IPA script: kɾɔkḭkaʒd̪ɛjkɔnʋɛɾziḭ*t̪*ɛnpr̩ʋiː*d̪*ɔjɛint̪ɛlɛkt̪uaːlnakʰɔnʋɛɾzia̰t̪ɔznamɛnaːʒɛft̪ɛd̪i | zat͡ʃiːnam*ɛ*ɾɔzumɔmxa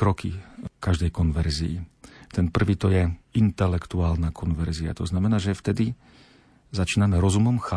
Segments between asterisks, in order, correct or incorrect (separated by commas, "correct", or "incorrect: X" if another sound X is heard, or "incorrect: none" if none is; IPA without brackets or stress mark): correct, incorrect: t̪, correct